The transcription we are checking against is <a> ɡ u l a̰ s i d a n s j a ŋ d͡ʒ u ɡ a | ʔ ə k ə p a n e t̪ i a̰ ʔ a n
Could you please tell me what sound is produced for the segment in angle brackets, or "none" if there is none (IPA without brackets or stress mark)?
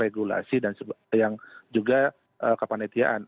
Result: e